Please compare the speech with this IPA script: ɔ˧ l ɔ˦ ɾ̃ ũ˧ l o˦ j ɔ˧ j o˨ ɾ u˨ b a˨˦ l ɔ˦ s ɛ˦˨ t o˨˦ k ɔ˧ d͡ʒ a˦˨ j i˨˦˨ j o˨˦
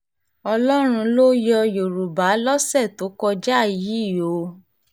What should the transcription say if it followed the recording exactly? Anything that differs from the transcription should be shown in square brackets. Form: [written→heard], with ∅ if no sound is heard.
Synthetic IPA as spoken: ɔ˧ l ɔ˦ ɾ̃ ũ˧ l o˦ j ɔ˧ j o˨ ɾ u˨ b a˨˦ l ɔ˦ s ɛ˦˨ t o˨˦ k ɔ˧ d͡ʒ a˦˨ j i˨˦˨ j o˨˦